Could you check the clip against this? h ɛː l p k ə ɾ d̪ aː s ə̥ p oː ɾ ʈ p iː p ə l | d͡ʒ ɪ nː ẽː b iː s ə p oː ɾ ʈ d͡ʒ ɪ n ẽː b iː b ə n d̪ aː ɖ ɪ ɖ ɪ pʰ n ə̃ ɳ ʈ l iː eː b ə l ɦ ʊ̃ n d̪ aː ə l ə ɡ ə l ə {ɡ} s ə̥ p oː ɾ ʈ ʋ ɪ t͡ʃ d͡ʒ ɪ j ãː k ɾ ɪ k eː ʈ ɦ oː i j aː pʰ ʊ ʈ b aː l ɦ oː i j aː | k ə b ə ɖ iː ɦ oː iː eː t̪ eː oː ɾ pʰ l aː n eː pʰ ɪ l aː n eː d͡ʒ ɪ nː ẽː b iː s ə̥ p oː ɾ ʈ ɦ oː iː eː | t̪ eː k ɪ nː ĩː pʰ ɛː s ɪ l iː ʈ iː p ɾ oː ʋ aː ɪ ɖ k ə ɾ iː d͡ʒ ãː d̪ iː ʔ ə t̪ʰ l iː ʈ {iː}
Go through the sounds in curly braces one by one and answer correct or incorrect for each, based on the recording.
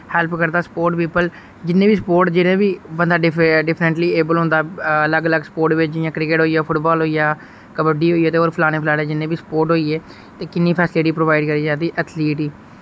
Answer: correct, correct

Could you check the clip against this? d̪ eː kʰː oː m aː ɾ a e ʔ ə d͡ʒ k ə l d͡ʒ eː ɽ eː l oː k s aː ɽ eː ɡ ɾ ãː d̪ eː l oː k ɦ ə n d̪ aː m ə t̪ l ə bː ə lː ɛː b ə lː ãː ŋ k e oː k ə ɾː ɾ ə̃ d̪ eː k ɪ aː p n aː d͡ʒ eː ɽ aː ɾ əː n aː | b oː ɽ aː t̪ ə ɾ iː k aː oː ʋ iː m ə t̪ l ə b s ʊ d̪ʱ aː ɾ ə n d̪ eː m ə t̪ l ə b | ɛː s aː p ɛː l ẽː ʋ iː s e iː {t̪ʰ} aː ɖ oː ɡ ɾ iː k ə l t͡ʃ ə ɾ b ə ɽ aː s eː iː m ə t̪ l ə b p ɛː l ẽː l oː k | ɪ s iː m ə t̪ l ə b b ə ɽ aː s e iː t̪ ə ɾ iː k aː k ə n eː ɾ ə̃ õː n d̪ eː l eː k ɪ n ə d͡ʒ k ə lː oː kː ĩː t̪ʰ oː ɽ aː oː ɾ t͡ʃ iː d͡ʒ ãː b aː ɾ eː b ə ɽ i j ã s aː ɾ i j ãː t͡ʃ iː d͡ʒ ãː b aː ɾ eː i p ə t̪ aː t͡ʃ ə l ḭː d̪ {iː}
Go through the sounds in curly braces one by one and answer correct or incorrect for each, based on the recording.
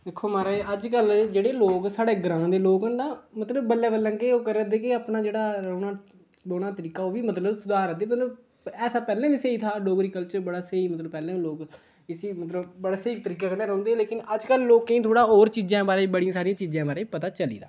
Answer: correct, incorrect

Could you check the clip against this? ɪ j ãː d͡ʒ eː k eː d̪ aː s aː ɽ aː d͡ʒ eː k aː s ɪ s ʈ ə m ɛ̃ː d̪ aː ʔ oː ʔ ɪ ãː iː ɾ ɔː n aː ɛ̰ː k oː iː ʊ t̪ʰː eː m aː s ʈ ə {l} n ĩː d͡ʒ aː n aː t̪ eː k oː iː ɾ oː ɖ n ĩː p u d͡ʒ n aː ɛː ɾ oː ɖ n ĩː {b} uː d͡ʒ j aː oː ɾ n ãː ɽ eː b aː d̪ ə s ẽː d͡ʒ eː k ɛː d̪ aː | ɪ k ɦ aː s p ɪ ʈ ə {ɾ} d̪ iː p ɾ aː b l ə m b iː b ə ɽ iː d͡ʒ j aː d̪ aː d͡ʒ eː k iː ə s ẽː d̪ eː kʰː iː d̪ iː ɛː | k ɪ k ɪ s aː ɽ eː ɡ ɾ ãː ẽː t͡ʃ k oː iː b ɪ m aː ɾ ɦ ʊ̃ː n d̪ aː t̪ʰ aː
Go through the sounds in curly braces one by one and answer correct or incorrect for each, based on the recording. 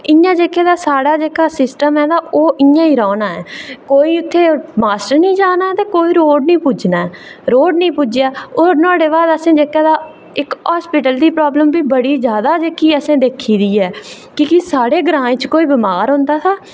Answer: incorrect, incorrect, incorrect

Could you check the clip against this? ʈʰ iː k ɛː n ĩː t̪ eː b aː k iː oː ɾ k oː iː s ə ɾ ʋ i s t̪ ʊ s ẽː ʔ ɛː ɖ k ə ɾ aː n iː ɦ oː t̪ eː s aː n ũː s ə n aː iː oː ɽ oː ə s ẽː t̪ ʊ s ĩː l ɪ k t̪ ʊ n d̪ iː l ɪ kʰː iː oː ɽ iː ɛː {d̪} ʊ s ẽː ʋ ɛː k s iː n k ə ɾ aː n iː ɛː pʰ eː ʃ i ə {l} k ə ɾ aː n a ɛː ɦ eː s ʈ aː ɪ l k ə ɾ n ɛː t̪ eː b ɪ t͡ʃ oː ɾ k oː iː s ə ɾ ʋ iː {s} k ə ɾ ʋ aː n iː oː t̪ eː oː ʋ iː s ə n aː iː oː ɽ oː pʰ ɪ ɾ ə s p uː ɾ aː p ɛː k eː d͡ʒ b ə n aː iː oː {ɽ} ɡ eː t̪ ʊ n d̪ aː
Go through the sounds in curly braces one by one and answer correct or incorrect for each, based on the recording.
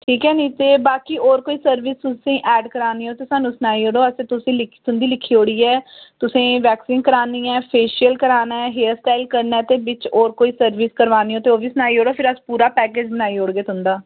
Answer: incorrect, correct, correct, correct

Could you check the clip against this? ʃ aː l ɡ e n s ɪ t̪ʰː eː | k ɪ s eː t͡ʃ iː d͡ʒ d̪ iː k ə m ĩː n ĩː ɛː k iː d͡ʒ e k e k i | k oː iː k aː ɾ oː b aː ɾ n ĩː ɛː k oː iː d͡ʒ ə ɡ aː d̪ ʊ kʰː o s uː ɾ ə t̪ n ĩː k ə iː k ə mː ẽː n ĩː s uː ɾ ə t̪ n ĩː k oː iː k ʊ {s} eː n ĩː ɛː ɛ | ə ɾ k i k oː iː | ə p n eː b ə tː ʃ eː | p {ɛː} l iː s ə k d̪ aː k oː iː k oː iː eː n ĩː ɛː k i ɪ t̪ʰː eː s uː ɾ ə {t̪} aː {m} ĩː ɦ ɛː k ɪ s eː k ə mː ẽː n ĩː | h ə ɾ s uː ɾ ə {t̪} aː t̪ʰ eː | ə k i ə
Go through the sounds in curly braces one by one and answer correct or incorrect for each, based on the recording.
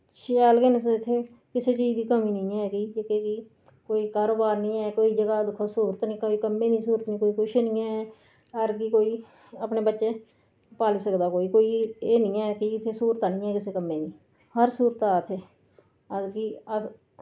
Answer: incorrect, incorrect, correct, incorrect, correct

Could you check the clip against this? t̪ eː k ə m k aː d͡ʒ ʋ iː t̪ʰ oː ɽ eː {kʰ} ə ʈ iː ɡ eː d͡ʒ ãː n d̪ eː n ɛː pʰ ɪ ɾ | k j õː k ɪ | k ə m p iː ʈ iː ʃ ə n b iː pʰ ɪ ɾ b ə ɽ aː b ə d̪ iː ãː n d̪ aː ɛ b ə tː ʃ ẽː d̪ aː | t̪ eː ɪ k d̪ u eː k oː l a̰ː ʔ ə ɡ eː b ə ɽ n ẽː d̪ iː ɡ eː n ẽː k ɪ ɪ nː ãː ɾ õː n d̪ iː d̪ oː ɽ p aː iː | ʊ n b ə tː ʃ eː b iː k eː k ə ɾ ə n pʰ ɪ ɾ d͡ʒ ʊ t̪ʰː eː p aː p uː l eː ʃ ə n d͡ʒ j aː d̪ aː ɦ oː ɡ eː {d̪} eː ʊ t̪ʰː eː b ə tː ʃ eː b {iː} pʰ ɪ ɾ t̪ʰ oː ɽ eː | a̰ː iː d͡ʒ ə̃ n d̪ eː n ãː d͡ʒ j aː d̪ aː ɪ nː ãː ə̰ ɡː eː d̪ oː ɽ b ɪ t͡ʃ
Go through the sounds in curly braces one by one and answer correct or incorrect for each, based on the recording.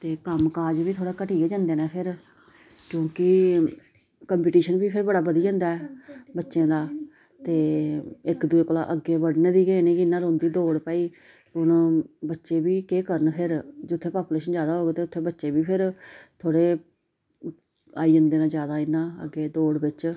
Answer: incorrect, incorrect, correct

